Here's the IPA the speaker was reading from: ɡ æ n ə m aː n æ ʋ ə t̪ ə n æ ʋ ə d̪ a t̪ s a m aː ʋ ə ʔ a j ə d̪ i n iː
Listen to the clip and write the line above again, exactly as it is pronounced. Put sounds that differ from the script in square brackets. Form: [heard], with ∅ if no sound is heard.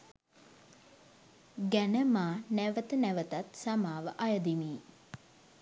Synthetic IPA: ɡ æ n ə m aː n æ ʋ ə t̪ ə n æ ʋ ə [t̪] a t̪ s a m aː ʋ ə ʔ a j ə d̪ i [m] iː